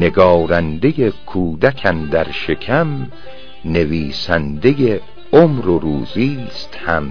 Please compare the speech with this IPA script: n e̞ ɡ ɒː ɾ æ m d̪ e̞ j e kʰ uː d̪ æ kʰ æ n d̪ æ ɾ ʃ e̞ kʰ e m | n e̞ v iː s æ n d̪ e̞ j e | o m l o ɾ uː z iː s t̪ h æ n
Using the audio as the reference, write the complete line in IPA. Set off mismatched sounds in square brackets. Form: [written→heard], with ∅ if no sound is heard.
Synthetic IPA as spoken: n e̞ ɡ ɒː ɾ æ [m→n] d̪ e̞ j e kʰ uː d̪ æ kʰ æ n d̪ æ ɾ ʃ e̞ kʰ [e→æ] m | n e̞ v iː s æ n d̪ e̞ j e | o m [l→ɾ] o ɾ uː z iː s t̪ h æ [n→m]